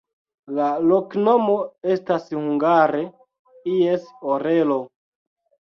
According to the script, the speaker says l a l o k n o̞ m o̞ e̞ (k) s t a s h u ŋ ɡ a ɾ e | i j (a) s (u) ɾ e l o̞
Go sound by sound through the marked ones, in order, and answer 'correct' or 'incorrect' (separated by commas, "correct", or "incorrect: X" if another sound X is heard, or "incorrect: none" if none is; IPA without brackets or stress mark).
incorrect: none, incorrect: e, incorrect: o